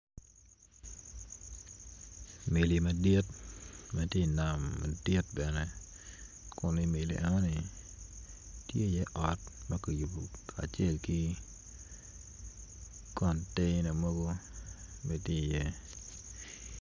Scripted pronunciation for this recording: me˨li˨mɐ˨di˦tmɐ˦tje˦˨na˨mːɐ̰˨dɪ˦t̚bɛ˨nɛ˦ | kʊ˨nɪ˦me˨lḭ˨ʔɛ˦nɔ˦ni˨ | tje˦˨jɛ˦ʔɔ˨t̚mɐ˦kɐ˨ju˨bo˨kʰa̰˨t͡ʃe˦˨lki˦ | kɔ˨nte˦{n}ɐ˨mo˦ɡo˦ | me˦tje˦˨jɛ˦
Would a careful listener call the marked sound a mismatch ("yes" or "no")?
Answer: no